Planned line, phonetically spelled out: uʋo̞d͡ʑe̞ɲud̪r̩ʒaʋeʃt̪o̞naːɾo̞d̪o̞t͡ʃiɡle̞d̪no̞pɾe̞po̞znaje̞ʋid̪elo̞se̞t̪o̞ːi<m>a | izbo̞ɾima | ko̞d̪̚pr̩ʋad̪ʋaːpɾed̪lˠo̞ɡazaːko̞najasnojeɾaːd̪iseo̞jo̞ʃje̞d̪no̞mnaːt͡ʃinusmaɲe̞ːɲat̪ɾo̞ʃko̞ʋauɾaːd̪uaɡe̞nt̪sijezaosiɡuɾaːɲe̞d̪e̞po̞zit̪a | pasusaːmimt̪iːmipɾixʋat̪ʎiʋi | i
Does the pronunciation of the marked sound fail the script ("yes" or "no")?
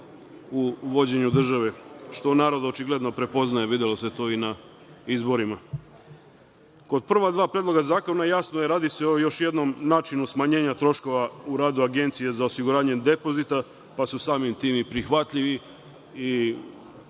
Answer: yes